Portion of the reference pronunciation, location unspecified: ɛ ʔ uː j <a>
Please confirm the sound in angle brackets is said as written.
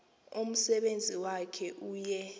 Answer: no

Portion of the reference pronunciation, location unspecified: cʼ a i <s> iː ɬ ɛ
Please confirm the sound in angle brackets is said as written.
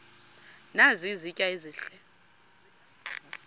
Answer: no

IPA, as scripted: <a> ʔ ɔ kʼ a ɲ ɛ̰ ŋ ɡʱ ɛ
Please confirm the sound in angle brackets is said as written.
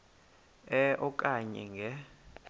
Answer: no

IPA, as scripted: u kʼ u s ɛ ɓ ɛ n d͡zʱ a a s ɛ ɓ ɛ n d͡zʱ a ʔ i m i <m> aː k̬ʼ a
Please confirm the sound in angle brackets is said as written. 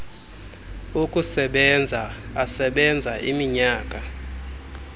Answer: no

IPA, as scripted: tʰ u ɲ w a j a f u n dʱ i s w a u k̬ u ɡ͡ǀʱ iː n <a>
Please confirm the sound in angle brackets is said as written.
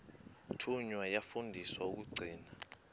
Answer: yes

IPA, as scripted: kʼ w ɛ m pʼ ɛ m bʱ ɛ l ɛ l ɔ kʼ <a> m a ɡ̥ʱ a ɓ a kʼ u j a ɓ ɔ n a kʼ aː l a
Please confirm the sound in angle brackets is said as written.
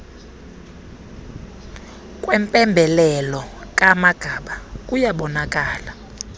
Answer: yes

